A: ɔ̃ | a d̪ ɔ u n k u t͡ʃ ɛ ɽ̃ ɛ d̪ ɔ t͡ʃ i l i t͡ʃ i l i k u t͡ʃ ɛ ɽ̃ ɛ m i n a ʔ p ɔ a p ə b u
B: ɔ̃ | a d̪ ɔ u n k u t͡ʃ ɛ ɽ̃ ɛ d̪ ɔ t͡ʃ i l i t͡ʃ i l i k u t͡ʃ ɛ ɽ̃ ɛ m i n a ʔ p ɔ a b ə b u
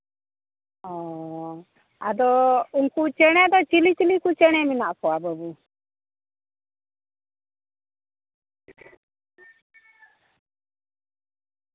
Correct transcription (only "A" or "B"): B